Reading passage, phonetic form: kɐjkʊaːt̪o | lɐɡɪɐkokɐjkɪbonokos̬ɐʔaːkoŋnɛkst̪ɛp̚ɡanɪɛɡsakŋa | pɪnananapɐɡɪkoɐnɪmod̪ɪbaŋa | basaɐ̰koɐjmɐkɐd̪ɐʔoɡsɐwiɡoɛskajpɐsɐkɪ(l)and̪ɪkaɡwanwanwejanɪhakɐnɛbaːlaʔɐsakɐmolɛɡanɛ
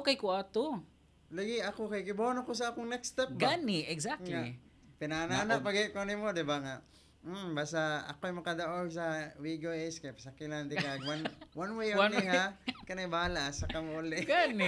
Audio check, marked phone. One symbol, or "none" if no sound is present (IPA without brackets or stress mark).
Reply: l